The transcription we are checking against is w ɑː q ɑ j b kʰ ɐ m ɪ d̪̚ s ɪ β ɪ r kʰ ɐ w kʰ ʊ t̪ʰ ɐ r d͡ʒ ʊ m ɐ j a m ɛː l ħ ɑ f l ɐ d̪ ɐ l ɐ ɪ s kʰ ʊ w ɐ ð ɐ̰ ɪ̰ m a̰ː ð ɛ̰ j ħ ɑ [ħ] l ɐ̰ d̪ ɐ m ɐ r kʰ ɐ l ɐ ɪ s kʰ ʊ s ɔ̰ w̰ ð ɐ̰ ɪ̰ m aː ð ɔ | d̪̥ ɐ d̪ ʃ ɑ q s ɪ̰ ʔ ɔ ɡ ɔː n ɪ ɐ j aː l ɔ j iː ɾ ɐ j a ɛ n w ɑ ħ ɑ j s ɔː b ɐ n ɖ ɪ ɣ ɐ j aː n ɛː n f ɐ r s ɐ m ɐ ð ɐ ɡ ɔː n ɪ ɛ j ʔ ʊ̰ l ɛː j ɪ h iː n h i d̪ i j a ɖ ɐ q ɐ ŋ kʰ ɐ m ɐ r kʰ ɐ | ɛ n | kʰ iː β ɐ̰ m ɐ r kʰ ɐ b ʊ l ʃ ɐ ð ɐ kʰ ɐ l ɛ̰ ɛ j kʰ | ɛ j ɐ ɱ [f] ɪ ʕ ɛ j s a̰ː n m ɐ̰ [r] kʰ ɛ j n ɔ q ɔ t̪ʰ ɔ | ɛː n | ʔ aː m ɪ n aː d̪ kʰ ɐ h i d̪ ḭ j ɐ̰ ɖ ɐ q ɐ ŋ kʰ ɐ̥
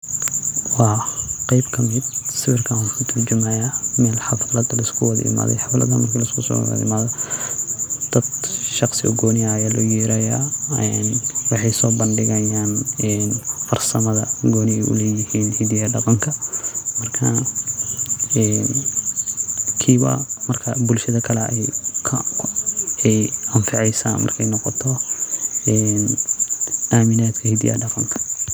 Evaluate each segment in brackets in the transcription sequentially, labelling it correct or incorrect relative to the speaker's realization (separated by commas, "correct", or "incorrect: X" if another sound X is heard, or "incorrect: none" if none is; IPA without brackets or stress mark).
incorrect: f, correct, correct